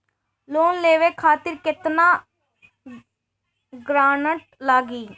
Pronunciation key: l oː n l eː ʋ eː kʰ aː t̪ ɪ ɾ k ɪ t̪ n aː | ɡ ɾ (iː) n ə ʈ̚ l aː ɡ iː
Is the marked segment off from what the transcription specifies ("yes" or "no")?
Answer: yes